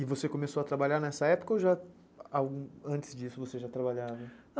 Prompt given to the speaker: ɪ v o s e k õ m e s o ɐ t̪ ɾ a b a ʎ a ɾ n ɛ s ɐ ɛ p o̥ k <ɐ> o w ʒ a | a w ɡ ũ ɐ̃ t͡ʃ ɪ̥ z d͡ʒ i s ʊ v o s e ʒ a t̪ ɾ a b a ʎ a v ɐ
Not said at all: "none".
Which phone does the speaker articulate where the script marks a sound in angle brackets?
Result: ɐ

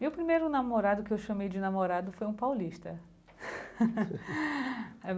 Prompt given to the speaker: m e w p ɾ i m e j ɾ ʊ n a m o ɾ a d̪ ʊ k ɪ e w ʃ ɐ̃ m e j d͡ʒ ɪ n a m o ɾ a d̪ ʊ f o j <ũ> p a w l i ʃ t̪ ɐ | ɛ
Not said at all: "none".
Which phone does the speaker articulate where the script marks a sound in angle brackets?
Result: ũ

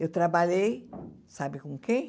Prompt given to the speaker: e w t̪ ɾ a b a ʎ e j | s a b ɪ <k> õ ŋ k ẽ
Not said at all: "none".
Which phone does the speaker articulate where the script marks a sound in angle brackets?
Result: k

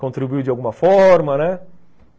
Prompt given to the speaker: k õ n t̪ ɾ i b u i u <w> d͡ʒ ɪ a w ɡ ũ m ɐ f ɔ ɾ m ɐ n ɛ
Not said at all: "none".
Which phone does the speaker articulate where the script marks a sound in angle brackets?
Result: w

